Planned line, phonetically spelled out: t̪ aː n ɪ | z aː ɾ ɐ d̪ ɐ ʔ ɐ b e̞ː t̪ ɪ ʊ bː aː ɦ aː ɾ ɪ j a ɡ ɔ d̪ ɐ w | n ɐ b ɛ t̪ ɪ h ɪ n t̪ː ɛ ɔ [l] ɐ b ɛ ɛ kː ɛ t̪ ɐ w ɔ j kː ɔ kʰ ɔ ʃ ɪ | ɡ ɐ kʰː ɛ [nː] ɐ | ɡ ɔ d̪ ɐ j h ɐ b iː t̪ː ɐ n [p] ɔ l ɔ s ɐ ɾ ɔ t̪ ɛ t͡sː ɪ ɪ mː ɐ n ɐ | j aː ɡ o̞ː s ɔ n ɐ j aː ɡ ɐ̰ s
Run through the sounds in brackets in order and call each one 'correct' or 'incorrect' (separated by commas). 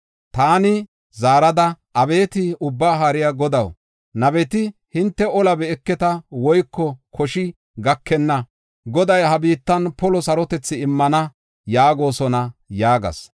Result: correct, correct, correct